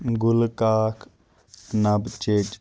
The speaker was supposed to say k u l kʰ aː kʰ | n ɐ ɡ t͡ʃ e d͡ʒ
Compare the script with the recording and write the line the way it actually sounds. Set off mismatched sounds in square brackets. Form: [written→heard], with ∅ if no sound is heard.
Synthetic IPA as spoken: [k→ɡ] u l [kʰ→k] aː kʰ | n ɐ [ɡ→b] t͡ʃ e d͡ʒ

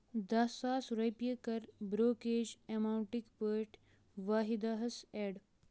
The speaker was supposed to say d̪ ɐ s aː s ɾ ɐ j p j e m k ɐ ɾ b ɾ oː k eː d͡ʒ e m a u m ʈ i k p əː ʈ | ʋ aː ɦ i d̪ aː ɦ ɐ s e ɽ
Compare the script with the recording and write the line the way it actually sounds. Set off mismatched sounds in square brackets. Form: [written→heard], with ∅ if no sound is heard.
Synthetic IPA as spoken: d̪ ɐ s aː s ɾ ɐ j p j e [m→∅] k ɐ ɾ b ɾ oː k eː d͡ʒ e m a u [m→ɳ] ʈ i k p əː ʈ | ʋ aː ɦ i d̪ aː ɦ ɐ s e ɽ

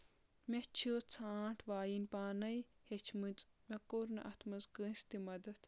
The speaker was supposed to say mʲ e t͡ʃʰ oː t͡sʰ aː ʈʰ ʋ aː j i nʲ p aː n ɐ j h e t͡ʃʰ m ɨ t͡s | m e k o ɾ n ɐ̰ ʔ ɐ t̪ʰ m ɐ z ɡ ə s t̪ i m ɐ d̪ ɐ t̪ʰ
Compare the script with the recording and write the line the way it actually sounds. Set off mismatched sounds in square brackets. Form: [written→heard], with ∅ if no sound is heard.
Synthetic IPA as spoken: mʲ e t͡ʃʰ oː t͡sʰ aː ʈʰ ʋ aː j i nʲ p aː n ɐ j h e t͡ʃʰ m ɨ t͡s | m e k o ɾ n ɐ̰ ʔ ɐ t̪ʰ m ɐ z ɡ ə s t̪ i m ɐ d̪ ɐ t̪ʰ

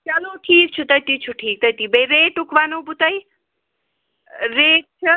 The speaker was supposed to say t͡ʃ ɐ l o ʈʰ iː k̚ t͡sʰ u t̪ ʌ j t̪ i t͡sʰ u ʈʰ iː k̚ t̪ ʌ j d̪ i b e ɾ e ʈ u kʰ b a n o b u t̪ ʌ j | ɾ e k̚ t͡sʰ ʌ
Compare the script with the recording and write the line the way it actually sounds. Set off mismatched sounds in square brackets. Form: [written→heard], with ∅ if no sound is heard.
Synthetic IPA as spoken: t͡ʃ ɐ l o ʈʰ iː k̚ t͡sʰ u t̪ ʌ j t̪ i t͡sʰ u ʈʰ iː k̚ t̪ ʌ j [d̪→t̪] i b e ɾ e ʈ u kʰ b a n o b u t̪ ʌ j | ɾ e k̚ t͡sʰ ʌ

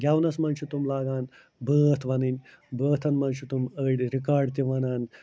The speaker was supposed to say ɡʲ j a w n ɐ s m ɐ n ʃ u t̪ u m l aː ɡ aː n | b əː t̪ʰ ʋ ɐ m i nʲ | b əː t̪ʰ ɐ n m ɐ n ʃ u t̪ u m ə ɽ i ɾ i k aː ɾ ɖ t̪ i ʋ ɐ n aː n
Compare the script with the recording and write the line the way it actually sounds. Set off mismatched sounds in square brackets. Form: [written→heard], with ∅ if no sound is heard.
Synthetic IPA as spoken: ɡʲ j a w n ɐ s m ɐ n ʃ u t̪ u m l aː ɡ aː n | b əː t̪ʰ ʋ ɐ [m→n] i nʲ | b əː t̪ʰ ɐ n m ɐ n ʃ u t̪ u m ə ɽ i ɾ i k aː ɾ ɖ t̪ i ʋ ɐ n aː n

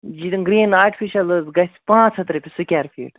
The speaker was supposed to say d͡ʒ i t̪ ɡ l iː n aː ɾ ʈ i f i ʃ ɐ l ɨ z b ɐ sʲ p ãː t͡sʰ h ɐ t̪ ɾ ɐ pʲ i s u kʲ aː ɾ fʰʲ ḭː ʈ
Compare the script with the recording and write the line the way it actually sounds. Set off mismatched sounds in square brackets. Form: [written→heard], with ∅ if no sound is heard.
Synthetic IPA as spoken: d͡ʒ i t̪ ɡ [l→ɾ] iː n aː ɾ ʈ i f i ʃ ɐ l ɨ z [b→ɡ] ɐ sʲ p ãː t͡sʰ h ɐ t̪ ɾ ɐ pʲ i s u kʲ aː ɾ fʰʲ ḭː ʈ

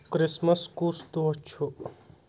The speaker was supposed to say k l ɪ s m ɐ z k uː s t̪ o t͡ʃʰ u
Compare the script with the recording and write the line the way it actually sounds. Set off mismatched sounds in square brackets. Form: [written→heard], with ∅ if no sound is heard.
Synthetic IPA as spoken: k [l→ɾ] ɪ s m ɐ [z→s] k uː s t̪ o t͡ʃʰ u

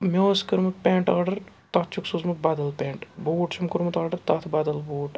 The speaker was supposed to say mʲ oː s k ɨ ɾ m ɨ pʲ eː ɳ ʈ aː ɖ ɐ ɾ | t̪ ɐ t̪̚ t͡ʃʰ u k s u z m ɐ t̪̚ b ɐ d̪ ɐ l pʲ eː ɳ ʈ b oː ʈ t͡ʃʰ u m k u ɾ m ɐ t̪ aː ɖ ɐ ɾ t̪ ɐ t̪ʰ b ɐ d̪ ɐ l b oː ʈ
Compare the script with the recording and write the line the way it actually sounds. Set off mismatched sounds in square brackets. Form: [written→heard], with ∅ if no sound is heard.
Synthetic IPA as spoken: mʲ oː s k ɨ ɾ m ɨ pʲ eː ɳ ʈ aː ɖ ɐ ɾ | t̪ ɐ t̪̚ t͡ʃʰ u k s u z m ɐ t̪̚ b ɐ d̪ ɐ l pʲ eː ɳ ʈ b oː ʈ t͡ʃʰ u m k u ɾ m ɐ t̪ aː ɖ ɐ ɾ t̪ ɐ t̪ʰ b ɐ d̪ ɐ l b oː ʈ

